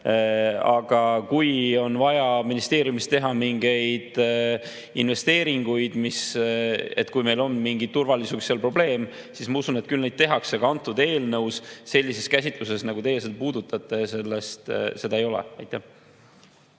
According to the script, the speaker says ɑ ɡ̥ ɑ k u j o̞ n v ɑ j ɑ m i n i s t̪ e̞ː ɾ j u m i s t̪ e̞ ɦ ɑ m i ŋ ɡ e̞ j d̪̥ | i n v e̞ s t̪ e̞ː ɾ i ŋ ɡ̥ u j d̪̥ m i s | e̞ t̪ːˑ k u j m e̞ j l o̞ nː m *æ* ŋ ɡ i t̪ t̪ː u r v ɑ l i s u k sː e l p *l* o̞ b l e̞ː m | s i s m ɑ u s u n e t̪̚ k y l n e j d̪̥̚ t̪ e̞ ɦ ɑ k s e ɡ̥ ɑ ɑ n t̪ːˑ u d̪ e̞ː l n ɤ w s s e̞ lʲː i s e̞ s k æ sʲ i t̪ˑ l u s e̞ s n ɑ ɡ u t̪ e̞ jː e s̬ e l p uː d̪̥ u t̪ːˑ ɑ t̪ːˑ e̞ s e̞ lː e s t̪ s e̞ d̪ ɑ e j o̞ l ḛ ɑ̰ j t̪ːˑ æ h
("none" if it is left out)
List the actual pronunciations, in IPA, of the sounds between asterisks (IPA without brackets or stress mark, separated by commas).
i, r